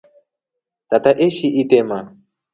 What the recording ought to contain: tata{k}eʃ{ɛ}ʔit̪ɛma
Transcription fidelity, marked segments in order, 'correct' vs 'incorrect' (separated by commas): incorrect, incorrect